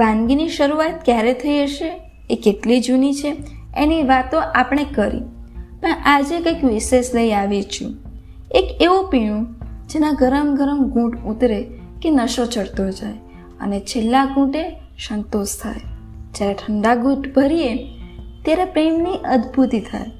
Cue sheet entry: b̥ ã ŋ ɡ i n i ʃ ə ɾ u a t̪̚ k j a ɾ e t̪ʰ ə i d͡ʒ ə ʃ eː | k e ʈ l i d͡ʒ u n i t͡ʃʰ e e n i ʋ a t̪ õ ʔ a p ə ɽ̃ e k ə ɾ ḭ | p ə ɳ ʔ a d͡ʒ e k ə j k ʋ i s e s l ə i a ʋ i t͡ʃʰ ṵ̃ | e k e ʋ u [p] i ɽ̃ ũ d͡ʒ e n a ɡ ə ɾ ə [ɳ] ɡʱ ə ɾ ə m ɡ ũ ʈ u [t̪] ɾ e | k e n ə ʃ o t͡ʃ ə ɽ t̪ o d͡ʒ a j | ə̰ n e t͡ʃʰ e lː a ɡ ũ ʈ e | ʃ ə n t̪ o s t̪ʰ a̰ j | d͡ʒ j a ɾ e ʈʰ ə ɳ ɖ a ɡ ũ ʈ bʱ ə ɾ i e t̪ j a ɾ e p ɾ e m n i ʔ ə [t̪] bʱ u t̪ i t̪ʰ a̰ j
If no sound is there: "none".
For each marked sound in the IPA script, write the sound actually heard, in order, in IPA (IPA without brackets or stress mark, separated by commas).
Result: p, m, t̪, d̪